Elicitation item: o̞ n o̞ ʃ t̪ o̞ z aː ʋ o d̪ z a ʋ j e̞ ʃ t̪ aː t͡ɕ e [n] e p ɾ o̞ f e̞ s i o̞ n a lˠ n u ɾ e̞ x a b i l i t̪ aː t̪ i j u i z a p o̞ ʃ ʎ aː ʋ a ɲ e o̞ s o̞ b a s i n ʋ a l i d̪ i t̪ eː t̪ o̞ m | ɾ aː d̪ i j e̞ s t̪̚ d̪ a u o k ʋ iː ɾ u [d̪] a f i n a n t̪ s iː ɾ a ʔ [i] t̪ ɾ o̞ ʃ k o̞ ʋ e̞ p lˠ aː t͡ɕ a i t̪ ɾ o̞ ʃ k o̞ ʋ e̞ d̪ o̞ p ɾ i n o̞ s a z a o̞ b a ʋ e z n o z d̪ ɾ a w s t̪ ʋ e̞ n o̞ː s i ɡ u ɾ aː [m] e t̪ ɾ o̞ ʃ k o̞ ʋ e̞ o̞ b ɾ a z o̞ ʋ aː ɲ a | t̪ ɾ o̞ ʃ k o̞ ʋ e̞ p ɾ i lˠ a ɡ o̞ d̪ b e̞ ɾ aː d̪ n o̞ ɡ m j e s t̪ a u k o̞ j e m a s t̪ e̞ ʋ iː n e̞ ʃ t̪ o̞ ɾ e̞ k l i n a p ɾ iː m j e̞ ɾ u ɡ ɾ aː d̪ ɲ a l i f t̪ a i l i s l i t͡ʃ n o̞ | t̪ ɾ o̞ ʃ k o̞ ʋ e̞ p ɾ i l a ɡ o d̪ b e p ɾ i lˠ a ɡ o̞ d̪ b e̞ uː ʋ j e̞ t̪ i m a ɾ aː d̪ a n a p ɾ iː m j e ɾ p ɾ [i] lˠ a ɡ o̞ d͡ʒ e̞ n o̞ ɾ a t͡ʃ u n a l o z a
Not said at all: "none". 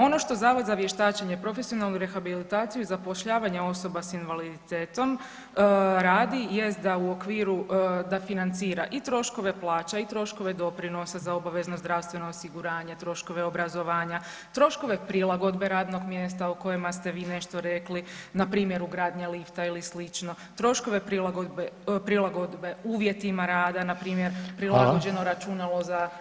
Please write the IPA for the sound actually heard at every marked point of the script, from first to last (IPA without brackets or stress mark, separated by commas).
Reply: ɲ, d̪, i, ɲ, i